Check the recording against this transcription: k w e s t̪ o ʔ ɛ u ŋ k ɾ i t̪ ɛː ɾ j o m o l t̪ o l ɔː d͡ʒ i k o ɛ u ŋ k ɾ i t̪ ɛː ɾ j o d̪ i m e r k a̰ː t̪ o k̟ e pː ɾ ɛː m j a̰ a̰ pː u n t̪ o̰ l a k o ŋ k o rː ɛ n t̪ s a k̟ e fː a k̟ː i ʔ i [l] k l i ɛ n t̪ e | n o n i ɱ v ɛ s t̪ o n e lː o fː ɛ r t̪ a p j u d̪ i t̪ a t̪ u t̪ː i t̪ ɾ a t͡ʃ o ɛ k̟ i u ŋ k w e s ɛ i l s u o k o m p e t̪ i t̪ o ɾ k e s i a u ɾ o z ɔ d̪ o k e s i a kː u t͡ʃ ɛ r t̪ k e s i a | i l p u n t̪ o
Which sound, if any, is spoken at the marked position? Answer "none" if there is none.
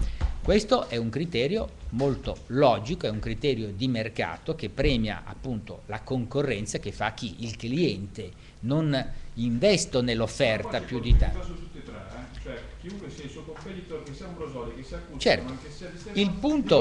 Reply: l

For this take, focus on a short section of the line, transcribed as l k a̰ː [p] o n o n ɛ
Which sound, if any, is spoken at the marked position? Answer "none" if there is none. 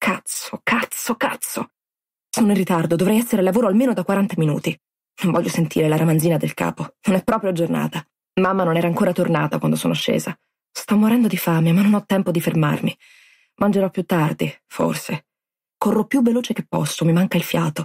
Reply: p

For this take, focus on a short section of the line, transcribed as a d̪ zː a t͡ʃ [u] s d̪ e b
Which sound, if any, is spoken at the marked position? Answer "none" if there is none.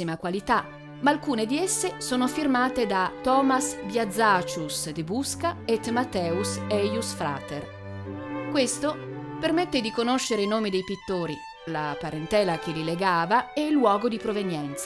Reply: u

